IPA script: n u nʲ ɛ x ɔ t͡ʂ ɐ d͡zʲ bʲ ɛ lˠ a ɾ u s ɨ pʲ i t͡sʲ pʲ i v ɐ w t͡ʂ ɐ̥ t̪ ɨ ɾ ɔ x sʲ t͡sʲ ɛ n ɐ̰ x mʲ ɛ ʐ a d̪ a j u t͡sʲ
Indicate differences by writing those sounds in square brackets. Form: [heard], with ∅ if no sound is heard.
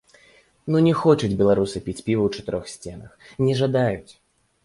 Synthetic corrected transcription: n u nʲ ɛ x ɔ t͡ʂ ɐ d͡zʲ bʲ ɛ lˠ a ɾ u s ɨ pʲ i t͡sʲ pʲ i v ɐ w t͡ʂ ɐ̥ t̪ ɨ ɾ ɔ x sʲ t͡sʲ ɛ n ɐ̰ x [nʲ] ɛ ʐ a d̪ a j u t͡sʲ